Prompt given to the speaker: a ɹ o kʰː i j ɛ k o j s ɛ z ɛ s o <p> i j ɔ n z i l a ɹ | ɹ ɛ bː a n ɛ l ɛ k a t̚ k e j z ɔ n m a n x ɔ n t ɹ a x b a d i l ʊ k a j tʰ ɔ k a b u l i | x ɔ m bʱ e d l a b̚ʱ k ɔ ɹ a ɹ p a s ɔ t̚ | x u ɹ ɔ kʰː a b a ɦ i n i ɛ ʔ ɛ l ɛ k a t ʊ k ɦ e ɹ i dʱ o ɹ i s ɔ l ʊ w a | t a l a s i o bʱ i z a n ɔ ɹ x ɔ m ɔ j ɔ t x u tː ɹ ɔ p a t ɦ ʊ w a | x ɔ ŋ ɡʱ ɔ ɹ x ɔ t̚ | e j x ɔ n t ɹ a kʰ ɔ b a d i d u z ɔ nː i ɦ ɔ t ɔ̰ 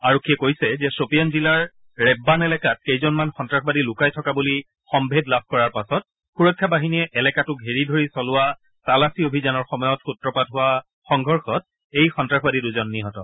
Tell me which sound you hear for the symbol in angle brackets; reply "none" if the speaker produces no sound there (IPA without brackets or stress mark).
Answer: p